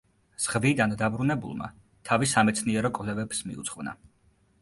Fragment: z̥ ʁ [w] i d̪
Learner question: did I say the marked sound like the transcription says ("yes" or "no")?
no